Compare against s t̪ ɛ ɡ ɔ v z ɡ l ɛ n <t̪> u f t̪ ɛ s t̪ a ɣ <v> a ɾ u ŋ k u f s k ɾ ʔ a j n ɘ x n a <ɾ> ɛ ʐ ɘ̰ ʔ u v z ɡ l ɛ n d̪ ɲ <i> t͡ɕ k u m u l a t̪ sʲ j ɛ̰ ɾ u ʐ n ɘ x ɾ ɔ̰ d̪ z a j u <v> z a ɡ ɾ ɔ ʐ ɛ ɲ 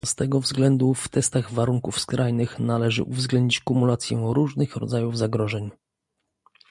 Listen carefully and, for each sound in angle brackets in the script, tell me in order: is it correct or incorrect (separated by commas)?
incorrect, correct, incorrect, correct, correct